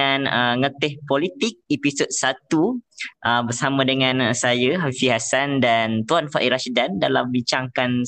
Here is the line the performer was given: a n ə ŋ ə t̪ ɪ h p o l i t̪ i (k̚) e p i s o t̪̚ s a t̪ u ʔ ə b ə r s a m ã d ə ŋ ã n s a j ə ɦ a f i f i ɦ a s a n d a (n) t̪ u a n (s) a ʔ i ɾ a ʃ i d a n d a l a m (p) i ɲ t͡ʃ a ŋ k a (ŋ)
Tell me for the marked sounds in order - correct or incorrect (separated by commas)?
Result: correct, correct, incorrect, incorrect, incorrect